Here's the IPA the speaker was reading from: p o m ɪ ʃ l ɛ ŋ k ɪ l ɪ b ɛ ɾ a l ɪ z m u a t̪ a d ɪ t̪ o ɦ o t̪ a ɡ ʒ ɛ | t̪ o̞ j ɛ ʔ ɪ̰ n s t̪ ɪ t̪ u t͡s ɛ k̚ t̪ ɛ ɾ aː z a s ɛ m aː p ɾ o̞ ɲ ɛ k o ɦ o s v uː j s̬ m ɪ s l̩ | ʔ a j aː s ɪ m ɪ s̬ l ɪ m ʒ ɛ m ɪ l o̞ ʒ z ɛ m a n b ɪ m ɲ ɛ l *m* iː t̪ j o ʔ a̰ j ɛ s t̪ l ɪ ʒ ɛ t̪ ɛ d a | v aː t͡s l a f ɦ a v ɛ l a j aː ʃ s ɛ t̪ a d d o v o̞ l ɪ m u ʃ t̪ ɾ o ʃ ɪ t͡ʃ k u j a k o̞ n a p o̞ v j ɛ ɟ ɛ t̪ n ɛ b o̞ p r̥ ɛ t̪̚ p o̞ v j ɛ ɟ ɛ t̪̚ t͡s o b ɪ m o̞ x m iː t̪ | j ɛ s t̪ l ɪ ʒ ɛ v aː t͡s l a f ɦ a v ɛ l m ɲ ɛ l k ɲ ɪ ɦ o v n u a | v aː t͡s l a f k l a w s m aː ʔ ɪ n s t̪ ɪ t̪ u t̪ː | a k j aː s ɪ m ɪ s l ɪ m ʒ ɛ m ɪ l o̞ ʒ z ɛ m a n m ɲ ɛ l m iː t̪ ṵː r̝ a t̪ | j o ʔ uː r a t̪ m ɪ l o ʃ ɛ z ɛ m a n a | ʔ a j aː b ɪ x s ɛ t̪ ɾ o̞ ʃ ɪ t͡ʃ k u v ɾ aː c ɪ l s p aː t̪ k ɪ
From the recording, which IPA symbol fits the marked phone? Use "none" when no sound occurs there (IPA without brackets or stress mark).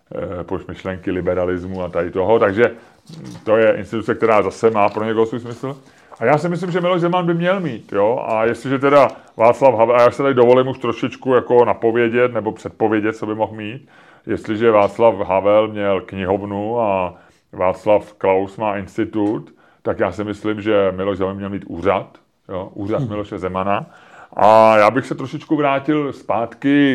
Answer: m